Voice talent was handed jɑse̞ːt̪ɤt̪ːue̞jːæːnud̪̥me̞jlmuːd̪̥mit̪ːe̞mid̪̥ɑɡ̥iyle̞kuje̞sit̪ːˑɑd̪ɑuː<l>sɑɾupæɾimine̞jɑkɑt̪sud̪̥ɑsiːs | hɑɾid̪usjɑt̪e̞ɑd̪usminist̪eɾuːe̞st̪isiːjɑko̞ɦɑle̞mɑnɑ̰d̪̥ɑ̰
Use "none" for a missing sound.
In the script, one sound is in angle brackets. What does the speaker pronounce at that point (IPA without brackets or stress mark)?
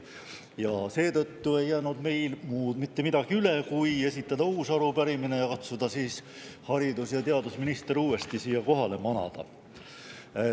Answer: none